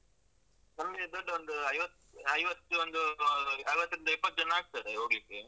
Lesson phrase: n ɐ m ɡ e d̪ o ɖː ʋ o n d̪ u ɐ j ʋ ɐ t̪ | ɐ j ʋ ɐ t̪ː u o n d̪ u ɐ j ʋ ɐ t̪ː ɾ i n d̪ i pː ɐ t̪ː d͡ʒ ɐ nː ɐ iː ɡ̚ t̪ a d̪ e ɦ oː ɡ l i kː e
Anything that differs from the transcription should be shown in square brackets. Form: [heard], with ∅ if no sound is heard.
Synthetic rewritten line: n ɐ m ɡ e d̪ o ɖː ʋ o n d̪ u ɐ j ʋ ɐ t̪ | ɐ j ʋ ɐ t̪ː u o n d̪ u ɐ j ʋ ɐ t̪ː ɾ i n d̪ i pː ɐ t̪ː d͡ʒ ɐ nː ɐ [aː] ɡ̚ t̪ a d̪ e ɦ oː ɡ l i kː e